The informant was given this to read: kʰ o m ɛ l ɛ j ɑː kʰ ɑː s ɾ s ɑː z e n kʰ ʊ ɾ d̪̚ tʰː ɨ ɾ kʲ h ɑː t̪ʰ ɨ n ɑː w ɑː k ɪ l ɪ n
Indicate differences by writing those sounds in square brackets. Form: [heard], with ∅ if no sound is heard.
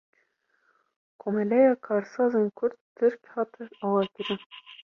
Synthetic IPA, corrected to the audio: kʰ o m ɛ l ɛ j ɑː kʰ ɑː [∅] ɾ s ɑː z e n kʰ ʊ ɾ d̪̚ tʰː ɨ ɾ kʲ h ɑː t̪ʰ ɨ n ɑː w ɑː k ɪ [ɾ] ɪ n